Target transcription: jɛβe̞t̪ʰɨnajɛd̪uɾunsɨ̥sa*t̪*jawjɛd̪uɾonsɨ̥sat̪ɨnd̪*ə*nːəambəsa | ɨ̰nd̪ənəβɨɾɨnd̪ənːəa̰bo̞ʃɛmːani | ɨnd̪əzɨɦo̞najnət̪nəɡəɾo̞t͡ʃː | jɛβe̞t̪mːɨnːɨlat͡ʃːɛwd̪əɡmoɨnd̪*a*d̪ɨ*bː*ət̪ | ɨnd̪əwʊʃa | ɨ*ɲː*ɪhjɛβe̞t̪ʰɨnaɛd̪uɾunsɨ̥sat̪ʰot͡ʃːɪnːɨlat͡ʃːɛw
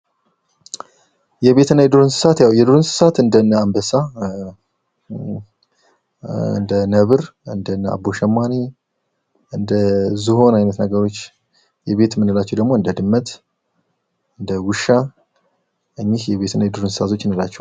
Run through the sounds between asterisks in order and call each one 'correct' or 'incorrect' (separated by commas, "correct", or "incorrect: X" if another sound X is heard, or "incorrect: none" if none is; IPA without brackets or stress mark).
correct, correct, incorrect: ə, incorrect: mː, correct